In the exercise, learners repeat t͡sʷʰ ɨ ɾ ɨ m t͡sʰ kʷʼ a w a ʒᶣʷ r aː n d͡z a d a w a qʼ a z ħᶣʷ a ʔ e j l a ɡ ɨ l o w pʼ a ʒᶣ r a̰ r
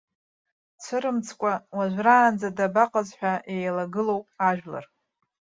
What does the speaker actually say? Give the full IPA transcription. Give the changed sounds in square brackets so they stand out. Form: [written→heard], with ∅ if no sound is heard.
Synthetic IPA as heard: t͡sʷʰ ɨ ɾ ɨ m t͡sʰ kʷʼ a w a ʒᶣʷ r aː n d͡z a d a [w→b] a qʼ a z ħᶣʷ a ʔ e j l a ɡ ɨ l o w pʼ a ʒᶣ [r→l] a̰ r